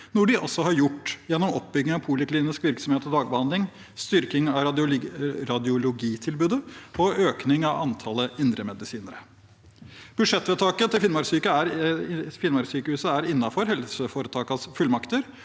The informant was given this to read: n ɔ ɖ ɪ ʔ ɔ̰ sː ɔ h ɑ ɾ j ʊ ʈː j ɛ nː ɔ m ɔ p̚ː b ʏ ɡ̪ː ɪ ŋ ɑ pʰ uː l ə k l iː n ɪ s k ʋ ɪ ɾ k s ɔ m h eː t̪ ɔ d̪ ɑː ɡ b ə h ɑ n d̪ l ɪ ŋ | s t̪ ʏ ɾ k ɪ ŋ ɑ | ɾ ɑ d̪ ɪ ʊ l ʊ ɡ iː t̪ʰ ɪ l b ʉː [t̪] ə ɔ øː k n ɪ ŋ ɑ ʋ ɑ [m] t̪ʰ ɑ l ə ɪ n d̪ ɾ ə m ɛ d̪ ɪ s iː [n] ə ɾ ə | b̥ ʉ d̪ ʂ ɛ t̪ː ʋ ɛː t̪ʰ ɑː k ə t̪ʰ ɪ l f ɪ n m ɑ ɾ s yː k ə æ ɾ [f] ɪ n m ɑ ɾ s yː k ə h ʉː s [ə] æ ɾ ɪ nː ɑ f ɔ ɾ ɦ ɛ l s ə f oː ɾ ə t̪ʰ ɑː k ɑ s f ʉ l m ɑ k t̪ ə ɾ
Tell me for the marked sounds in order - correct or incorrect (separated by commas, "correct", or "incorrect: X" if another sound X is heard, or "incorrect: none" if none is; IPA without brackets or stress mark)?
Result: incorrect: d̪, incorrect: n, correct, correct, correct